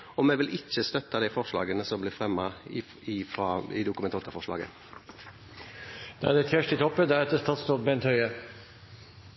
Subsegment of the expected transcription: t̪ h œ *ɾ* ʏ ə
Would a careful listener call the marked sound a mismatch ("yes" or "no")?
yes